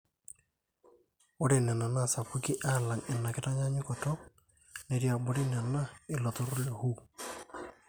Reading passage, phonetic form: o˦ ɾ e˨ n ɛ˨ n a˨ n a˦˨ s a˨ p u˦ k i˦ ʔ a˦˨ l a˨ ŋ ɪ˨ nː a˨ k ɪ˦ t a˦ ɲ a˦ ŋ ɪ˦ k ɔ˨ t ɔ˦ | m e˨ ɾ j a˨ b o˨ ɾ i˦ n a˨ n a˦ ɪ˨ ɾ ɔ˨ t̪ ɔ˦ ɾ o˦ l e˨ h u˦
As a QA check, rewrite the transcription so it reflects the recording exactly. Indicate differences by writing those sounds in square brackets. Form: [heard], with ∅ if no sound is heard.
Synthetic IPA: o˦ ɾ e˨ n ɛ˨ n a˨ n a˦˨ s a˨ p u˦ k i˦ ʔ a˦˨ l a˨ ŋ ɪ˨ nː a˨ k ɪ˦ t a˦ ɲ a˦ [ɲ] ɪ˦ k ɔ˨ t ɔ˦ | [n] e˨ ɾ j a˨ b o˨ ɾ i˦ n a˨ n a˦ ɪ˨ [l] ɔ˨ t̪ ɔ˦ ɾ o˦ l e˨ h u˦